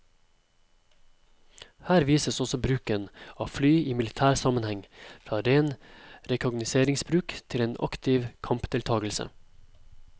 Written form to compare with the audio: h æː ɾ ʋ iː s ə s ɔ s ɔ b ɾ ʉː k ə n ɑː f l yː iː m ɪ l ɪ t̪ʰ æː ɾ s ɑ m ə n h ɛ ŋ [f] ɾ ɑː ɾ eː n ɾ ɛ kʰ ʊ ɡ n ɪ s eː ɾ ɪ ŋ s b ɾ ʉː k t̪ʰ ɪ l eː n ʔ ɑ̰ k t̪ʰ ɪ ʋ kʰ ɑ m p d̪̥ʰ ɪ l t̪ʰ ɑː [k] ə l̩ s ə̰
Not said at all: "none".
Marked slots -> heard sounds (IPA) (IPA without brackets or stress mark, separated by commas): f, ɡ